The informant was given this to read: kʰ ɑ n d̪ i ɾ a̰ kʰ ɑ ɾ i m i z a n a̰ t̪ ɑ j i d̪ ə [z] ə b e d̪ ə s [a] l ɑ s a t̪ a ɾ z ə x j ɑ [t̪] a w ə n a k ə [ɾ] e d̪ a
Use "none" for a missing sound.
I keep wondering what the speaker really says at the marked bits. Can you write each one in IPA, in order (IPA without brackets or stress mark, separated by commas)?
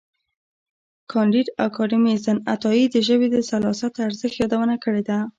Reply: ʒ, a, d̪, ɽ